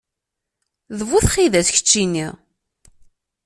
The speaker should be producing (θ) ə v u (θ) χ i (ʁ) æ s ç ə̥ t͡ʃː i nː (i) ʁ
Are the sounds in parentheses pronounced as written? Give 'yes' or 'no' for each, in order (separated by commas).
no, yes, no, yes